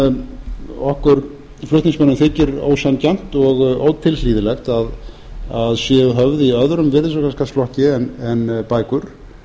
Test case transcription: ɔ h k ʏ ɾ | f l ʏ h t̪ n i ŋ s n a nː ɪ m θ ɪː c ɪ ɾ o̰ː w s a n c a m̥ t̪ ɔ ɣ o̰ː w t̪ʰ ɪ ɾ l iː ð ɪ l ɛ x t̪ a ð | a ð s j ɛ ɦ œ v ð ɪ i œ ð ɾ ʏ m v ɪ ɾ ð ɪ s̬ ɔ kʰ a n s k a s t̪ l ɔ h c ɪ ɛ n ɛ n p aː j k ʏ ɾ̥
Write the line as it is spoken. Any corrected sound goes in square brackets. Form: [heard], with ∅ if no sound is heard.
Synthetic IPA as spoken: ɔ h k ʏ ɾ | f l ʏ h t̪ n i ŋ s [m] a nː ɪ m θ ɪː c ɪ ɾ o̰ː w s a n c a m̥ t̪ ɔ ɣ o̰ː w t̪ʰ ɪ [l] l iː ð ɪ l ɛ x t̪ a ð | a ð s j ɛ ɦ œ v ð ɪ i œ ð ɾ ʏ m v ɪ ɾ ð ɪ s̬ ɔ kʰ a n s k a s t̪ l ɔ h c ɪ ɛ n ɛ n p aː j k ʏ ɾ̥